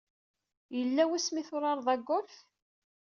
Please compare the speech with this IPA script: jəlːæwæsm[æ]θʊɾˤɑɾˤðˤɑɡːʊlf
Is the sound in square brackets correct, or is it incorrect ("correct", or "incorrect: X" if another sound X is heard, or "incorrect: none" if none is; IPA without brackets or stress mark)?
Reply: incorrect: i